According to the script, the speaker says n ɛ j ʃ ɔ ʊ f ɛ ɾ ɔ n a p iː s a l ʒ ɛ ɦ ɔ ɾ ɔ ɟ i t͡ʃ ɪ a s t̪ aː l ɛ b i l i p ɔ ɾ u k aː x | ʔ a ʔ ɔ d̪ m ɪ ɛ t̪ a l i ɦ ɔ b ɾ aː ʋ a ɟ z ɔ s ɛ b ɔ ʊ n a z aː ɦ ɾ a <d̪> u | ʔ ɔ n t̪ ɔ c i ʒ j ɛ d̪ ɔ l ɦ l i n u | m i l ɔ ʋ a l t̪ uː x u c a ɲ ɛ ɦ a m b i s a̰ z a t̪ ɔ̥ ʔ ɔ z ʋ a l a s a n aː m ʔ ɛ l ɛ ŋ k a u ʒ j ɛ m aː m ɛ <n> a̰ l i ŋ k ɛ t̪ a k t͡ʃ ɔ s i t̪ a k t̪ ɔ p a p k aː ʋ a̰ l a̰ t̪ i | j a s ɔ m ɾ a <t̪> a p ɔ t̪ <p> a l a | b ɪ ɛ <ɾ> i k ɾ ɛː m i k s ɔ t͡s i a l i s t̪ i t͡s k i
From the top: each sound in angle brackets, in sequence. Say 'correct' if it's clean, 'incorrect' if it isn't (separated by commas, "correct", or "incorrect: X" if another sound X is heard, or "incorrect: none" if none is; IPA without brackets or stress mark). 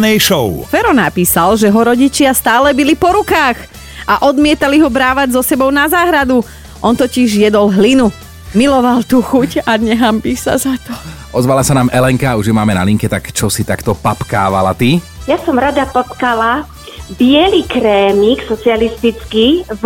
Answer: correct, correct, incorrect: d̪, incorrect: k, incorrect: l